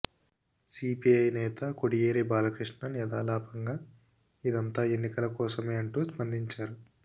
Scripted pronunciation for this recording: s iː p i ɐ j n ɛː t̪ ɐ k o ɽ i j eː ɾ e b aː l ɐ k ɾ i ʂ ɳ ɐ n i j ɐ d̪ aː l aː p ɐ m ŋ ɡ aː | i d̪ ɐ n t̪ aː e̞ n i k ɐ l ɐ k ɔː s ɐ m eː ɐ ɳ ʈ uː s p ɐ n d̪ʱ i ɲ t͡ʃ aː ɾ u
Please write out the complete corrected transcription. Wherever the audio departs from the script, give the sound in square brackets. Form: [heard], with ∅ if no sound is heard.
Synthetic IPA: s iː p i ɐ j n ɛː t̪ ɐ k o ɽ i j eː ɾ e b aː l ɐ k ɾ i ʂ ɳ ɐ n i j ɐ d̪ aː l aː p ɐ [∅] ŋ ɡ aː | i d̪ ɐ n t̪ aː e̞ [nː] i k ɐ l ɐ k ɔː s ɐ m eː ɐ ɳ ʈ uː s p ɐ n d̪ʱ i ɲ t͡ʃ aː ɾ u

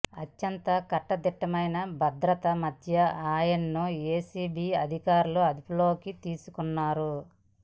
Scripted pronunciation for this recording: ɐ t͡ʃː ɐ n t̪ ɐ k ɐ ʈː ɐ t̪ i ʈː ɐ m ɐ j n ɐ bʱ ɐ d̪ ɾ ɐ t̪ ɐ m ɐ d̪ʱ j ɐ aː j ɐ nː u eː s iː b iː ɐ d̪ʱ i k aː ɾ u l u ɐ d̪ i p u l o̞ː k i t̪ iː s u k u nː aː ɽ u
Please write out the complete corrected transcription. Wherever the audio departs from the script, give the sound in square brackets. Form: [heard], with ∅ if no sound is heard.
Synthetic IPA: ɐ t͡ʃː ɐ n t̪ ɐ k ɐ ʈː ɐ [d̪] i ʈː ɐ m ɐ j n ɐ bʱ ɐ d̪ ɾ ɐ t̪ ɐ m ɐ d̪ʱ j ɐ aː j ɐ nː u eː s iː b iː ɐ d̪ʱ i k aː ɾ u l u ɐ d̪ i p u l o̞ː k i t̪ iː s u k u nː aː [ɾ] u

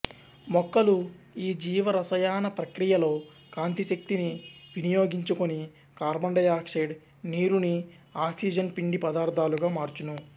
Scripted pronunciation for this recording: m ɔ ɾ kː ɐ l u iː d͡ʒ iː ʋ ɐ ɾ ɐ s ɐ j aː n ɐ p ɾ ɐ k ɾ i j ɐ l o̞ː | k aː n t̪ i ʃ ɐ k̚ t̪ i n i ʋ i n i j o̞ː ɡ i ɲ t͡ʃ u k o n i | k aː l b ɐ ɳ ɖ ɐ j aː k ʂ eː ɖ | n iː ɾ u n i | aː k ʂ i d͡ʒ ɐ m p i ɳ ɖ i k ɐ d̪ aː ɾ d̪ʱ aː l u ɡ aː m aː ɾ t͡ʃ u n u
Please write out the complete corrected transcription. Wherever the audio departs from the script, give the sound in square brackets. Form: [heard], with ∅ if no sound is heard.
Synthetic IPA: m ɔ [∅] kː ɐ l u iː d͡ʒ iː ʋ ɐ ɾ ɐ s ɐ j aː n ɐ p ɾ ɐ k ɾ i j ɐ l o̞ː | k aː n t̪ i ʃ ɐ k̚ t̪ i n i ʋ i n i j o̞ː ɡ i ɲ t͡ʃ u k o n i | k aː [ɾ] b ɐ ɳ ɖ ɐ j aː k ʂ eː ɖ | n iː ɾ u n i | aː k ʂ i d͡ʒ ɐ [n] p i ɳ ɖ i [p] ɐ d̪ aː ɾ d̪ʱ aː l u ɡ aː m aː ɾ t͡ʃ u n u

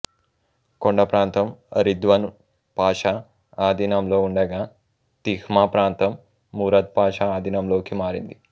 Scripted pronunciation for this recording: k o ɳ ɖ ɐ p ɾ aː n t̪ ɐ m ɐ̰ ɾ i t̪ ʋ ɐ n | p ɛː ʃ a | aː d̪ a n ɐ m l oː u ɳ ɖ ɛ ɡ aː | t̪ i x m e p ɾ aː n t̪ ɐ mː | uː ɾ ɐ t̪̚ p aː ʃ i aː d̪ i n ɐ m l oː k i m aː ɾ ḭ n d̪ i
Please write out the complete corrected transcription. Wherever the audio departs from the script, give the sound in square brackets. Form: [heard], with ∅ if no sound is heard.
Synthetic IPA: k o ɳ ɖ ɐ p ɾ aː n t̪ ɐ m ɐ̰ ɾ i [d̪] ʋ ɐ n | p [aː] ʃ a | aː d̪ [i] n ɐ m l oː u ɳ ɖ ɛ ɡ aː | t̪ i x m [a] p ɾ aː n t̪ ɐ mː | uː ɾ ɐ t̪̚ p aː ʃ [a] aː d̪ i n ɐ m l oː k i m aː ɾ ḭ n d̪ i

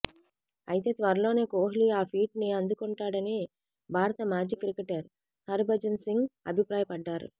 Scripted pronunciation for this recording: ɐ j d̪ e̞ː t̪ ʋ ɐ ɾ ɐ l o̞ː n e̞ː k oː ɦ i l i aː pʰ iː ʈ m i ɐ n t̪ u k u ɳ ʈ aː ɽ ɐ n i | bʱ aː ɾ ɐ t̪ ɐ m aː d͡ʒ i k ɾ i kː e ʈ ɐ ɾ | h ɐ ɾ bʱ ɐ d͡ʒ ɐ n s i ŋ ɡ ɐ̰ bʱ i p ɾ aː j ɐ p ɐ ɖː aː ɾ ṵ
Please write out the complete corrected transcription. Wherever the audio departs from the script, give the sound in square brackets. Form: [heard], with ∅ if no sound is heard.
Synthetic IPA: ɐ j [t̪] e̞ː t̪ ʋ ɐ ɾ ɐ l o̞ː n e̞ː k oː ɦ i l i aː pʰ iː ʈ [n] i ɐ n [d̪] u k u ɳ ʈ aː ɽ ɐ n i | bʱ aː ɾ ɐ t̪ ɐ m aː d͡ʒ i k ɾ i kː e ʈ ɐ ɾ | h ɐ ɾ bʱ ɐ d͡ʒ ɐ n s i ŋ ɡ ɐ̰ bʱ i p ɾ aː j ɐ p ɐ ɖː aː ɾ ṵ

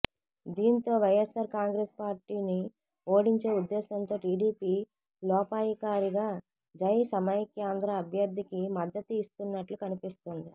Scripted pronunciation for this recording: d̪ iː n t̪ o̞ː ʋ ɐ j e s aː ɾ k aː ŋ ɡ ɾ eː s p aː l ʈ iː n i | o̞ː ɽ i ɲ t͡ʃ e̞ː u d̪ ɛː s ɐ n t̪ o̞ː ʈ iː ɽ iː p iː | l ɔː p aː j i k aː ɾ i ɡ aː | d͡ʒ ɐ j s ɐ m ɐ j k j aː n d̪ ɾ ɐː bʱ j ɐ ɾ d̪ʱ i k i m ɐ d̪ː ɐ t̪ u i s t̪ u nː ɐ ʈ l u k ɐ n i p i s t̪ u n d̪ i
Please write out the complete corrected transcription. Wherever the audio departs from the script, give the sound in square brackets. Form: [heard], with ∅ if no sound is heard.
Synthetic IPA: d̪ iː n t̪ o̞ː ʋ ɐ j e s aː ɾ k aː ŋ ɡ ɾ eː s p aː [ɾ] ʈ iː n i | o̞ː ɽ i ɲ t͡ʃ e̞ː u [d̪ː] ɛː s ɐ n t̪ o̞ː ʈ iː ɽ iː p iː | l ɔː p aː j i k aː ɾ i ɡ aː | d͡ʒ ɐ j s ɐ m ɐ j k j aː n d̪ ɾ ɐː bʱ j ɐ ɾ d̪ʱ i k i m ɐ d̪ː ɐ t̪ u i s t̪ u nː ɐ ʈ l u k ɐ n i p i s t̪ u n d̪ i

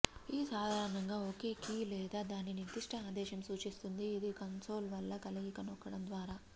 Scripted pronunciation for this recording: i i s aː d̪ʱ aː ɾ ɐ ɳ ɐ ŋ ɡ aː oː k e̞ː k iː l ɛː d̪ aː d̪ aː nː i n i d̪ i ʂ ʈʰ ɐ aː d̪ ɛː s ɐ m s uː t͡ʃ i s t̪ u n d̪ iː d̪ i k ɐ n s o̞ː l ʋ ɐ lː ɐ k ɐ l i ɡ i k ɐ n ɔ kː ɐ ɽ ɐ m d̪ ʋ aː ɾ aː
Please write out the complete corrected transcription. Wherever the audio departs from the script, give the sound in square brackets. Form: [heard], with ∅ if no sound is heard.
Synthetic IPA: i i s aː d̪ʱ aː ɾ ɐ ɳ ɐ ŋ ɡ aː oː k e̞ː k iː l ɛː d̪ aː d̪ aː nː i n i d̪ i ʂ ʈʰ ɐ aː d̪ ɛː [ʃ] ɐ m s uː t͡ʃ i s t̪ u n d̪ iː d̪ i k ɐ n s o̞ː l ʋ ɐ lː ɐ k ɐ l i ɡ i k ɐ n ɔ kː ɐ ɽ ɐ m d̪ ʋ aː ɾ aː

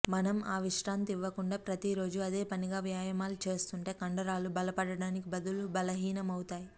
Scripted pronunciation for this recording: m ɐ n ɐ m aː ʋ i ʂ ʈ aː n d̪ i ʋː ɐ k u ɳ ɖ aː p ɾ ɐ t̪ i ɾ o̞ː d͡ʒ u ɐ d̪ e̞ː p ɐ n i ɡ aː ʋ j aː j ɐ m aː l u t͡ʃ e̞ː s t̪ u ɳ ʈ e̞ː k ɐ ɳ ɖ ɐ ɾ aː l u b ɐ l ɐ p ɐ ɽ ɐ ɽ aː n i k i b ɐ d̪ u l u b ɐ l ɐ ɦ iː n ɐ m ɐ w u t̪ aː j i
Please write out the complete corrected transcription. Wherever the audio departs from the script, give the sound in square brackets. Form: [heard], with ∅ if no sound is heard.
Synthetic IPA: m ɐ n ɐ m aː ʋ i ʂ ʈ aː n [t̪] i ʋː ɐ k u ɳ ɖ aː p ɾ ɐ t̪ i ɾ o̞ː d͡ʒ u ɐ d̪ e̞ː p ɐ n i ɡ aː ʋ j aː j ɐ m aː l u t͡ʃ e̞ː s t̪ u ɳ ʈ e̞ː k ɐ ɳ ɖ ɐ ɾ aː l u b ɐ l ɐ p ɐ ɽ ɐ ɽ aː n i k i b ɐ d̪ u l u b ɐ l ɐ ɦ iː n ɐ m ɐ w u t̪ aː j i

